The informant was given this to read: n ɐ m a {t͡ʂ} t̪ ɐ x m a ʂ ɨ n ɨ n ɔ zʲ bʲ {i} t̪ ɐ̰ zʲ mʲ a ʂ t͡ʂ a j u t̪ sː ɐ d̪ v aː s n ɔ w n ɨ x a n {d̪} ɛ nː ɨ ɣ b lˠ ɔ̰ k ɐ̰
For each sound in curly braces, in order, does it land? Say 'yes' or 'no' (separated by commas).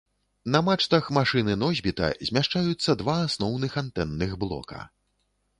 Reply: yes, yes, no